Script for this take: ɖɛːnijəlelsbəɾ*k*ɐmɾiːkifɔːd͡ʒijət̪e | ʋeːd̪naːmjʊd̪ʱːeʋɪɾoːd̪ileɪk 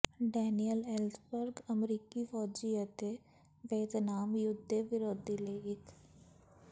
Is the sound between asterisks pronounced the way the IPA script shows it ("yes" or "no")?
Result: no